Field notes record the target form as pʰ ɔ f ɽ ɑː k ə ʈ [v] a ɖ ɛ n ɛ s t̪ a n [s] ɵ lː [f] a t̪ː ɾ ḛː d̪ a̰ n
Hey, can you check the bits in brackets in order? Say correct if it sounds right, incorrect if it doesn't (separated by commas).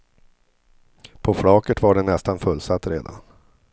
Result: correct, incorrect, incorrect